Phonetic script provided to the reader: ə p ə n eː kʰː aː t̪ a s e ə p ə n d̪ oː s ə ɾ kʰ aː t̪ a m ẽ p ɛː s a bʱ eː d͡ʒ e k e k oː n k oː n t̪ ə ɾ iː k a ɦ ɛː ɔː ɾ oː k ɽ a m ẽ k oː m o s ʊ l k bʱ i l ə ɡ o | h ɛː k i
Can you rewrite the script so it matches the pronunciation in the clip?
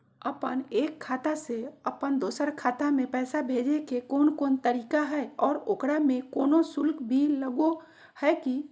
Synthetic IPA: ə p ə n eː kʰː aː t̪ a s e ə p ə n d̪ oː s ə ɾ kʰ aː t̪ a m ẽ p ɛː s a bʱ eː d͡ʒ e k e k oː n k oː n t̪ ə ɾ iː k a ɦ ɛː ɔː ɾ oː k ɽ a m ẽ k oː n o s ʊ l k bʱ i l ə ɡ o | h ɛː k i

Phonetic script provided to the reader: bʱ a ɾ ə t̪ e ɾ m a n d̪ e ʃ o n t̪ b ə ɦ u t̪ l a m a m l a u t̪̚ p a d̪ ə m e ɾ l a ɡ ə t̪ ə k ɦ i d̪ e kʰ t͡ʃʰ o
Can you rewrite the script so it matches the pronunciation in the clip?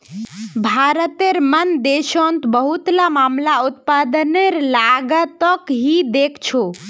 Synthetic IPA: bʱ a ɾ ə t̪ e ɾ m ə n d̪ e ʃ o n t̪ b ə ɦ u t̪ l a m a m l a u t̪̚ p a d̪ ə n e ɾ l a ɡ ə t̪ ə k ɦ i d̪ e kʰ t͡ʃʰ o

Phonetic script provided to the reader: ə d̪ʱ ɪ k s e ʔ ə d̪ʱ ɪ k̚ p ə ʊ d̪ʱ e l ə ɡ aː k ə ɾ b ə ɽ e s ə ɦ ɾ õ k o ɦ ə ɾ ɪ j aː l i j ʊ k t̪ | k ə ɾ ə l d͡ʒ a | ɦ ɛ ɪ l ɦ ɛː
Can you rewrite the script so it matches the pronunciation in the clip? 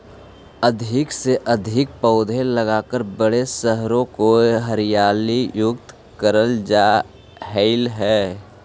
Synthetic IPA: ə d̪ʱ ɪ k s e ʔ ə d̪ʱ ɪ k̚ p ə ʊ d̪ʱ e l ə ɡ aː k ə ɾ b ə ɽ e s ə ɦ ɾ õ k o ɦ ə ɾ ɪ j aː l i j ʊ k t̪ | k ə ɾ ə l d͡ʒ a | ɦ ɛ ɪ l ɦ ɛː

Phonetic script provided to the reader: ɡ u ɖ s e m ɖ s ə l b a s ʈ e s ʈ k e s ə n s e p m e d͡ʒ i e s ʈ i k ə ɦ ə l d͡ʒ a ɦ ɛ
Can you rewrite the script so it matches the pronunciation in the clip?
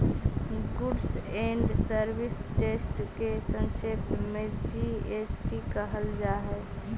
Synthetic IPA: ɡ u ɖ s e ɳ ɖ s ə ɾ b i s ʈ e s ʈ k e s ə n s e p m e d͡ʒ i e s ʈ i k ə ɦ ə l d͡ʒ a ɦ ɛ

